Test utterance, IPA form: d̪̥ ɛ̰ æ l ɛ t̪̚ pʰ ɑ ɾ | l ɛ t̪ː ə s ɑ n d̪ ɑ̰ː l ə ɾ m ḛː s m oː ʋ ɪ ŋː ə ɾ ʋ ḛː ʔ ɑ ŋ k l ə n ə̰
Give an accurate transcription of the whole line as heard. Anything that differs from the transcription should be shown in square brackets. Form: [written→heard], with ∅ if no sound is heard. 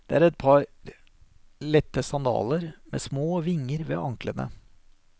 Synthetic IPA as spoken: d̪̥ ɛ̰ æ [l→ɾ] ɛ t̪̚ pʰ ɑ ɾ | l ɛ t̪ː ə s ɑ n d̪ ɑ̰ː l ə ɾ m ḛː s m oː ʋ ɪ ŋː ə ɾ ʋ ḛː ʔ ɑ ŋ k l ə n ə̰